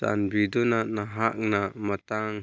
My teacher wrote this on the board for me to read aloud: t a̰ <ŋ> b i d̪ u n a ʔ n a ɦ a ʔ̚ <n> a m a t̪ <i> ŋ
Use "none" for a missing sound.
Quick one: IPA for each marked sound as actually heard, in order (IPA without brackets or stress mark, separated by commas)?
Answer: n, n, a